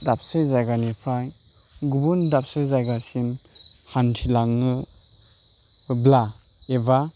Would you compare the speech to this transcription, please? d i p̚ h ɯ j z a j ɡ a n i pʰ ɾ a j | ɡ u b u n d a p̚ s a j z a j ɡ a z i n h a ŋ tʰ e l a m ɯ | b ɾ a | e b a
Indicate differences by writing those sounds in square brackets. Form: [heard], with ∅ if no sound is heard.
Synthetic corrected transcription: d [a] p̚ [s] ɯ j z a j ɡ a n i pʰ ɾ a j | ɡ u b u n d a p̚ s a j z a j ɡ a [s] i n h a [n] tʰ [i] l a [ŋ] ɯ | b [l] a | e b a